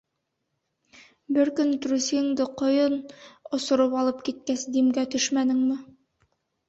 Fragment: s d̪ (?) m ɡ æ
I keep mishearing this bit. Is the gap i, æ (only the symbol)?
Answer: i